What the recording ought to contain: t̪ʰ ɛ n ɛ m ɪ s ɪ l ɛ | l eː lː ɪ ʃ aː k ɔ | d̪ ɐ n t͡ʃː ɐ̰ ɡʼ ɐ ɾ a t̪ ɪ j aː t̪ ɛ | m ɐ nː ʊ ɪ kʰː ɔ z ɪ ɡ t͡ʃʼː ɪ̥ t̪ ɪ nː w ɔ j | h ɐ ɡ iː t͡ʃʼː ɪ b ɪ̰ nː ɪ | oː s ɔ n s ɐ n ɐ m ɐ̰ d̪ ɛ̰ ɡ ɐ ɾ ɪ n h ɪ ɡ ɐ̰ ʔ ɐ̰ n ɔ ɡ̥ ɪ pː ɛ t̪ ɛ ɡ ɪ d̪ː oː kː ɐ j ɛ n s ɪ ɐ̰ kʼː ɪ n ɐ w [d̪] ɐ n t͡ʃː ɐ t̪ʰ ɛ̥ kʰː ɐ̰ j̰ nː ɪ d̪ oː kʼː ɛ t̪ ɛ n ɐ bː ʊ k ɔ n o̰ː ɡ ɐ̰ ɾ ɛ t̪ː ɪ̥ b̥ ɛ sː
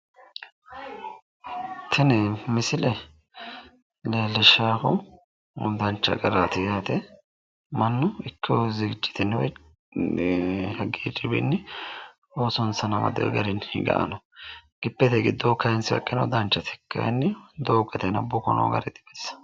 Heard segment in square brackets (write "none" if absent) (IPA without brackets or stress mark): d̪